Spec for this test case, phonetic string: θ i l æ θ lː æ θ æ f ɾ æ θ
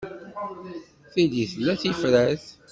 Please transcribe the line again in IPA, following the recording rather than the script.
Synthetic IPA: θ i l i θ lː æ θ i f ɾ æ θ